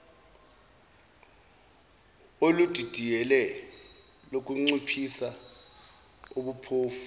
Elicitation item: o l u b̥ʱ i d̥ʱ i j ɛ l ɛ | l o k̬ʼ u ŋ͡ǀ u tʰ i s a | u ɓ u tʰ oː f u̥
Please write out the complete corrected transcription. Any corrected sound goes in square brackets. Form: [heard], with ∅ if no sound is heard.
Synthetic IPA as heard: o l u [d̥ʱ] i d̥ʱ i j ɛ l ɛ | l o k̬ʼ u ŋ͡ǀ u [pʰ] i s a | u ɓ u [pʰ] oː f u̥